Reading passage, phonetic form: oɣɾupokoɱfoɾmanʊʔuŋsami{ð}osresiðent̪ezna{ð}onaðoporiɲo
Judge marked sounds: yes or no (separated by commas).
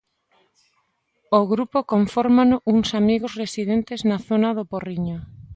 no, no